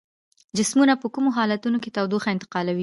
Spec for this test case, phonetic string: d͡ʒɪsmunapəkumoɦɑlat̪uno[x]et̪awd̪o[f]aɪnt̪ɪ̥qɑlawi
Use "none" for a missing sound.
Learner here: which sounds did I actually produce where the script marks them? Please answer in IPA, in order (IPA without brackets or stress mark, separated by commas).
k, x